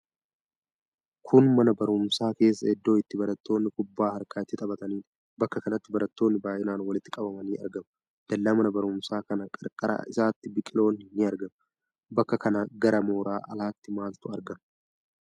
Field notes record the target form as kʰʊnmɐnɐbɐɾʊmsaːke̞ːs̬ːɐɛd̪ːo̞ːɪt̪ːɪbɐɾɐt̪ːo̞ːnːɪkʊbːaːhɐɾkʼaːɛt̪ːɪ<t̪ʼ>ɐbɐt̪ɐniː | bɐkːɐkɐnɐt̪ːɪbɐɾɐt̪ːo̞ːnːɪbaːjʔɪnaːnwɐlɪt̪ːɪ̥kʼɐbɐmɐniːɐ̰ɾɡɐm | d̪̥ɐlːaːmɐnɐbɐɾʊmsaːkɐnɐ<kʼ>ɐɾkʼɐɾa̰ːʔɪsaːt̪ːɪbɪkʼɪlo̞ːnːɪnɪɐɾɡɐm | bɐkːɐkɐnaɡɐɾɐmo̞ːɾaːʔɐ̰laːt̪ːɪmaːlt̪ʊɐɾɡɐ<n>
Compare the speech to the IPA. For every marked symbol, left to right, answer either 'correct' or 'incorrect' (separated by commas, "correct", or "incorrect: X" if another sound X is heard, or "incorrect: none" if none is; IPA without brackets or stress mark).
correct, correct, incorrect: m